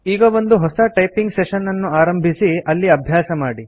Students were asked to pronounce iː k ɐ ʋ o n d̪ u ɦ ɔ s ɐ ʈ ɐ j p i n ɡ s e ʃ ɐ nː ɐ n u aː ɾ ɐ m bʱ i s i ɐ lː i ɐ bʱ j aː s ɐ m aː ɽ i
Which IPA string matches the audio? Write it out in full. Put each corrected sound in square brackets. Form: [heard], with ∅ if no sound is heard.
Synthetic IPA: iː [ɡ] ɐ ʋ o n d̪ u ɦ ɔ s ɐ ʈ ɐ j p i [ŋ] ɡ s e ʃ ɐ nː ɐ [nː] u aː ɾ ɐ m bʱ i s i ɐ lː i ɐ bʱ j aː s ɐ m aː ɽ i